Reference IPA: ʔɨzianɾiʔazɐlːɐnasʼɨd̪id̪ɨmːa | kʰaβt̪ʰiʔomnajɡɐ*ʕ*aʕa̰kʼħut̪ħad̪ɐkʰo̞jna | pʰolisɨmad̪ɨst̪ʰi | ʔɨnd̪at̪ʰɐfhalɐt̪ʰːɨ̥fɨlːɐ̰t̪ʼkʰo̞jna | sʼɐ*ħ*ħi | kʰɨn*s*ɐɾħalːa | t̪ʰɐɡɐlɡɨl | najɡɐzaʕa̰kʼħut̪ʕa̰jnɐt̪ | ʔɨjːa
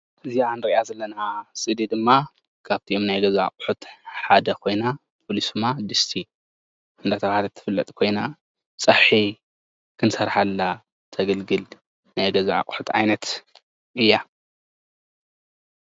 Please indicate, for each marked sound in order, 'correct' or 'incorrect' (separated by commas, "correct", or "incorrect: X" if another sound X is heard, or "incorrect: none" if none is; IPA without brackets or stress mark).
incorrect: z, correct, correct